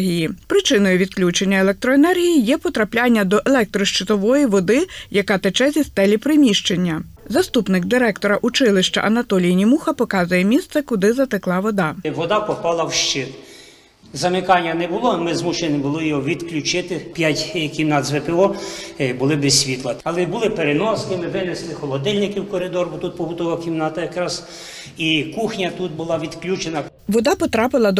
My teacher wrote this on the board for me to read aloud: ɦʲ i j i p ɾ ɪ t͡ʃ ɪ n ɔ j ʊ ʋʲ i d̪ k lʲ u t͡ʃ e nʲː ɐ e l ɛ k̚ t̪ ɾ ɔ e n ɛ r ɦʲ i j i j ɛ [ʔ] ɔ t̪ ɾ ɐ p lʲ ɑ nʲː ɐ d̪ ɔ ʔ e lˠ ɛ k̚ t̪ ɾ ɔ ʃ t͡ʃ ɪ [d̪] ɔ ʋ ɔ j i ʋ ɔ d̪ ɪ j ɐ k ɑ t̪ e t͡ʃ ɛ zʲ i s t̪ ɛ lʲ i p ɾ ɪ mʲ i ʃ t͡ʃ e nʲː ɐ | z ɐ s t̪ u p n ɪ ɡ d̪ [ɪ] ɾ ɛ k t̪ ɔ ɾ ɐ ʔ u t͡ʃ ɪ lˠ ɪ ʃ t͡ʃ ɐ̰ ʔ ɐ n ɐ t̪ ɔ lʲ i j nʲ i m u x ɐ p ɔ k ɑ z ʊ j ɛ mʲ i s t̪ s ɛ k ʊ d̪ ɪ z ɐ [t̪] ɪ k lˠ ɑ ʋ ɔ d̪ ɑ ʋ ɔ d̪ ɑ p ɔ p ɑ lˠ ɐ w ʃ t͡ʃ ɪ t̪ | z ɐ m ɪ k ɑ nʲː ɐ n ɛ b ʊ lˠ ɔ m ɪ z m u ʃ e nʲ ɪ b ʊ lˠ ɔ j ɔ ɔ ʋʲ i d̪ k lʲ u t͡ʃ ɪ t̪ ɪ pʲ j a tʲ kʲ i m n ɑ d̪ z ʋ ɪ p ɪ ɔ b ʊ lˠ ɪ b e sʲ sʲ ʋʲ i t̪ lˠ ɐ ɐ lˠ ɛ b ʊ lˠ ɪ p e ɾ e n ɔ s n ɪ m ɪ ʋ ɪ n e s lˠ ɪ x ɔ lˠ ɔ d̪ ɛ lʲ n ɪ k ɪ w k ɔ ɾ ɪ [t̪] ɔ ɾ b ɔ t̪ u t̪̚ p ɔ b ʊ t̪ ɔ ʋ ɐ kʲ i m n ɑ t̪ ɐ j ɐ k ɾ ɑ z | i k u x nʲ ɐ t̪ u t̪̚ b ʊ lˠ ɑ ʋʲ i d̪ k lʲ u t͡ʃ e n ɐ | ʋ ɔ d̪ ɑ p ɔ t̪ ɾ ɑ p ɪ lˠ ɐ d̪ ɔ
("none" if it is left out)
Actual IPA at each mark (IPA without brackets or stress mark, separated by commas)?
p, t̪, ɪ, t̪, d̪